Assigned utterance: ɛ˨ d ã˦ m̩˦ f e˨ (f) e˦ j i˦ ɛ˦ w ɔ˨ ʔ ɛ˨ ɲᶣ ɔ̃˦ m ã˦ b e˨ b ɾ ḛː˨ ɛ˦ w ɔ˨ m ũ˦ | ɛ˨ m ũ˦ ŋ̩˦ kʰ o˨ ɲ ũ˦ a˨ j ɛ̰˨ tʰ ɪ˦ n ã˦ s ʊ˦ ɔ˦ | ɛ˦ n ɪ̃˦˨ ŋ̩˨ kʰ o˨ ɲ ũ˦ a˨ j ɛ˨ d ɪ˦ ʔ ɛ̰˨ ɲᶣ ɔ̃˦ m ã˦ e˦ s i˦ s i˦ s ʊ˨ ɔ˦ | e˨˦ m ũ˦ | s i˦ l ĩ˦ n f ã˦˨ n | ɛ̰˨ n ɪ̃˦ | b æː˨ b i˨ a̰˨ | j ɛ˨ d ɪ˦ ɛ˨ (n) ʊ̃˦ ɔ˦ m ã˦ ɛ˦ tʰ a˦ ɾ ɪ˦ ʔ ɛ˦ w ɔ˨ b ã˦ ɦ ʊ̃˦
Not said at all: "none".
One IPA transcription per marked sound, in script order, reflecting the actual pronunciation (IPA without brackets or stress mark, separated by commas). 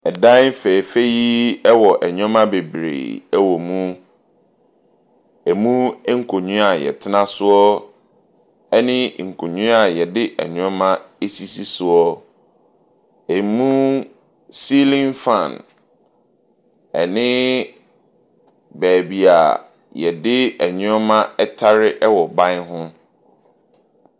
f, ɲ